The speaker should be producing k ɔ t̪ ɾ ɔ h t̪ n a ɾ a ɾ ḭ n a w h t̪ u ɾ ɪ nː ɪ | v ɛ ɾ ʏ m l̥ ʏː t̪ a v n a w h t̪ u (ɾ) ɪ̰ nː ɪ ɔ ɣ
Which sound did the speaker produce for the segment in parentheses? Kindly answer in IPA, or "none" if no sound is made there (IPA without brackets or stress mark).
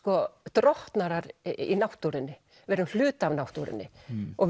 ɾ